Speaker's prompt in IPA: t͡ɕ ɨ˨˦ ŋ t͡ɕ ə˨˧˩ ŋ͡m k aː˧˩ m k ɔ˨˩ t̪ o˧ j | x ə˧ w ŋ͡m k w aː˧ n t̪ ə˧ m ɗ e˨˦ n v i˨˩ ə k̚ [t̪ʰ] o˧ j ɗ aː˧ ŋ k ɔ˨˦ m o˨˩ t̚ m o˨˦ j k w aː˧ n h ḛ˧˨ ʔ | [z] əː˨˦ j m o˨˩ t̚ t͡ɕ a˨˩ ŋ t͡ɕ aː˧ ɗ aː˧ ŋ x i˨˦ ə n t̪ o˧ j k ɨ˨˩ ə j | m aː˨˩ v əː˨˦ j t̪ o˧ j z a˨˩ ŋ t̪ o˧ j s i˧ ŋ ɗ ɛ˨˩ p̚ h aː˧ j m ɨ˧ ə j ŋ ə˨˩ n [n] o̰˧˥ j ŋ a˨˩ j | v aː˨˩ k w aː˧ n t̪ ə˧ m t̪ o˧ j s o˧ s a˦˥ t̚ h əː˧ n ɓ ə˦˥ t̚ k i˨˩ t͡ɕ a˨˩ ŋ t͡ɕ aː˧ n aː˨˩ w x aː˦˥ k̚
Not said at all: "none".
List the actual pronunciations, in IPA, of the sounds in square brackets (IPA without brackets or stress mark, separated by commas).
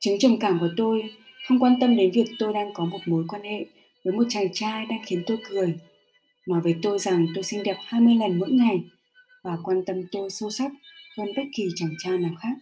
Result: t̪, v, m